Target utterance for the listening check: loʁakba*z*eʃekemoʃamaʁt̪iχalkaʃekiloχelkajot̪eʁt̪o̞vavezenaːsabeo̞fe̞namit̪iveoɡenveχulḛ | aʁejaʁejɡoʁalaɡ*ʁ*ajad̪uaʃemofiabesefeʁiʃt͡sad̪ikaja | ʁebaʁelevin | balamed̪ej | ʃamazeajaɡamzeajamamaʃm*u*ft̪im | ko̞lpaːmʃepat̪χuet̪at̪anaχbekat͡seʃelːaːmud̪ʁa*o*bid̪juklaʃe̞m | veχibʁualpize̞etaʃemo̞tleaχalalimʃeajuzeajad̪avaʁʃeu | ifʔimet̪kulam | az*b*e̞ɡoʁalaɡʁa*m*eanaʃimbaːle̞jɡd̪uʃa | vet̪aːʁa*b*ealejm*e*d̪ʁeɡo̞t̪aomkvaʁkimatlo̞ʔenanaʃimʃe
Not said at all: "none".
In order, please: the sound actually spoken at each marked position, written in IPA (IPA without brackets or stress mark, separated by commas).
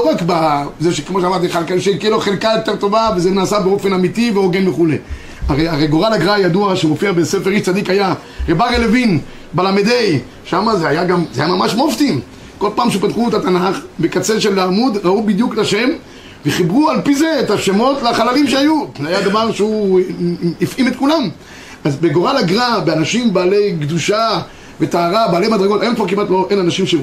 z, ʁ, o, u, b, b, b, a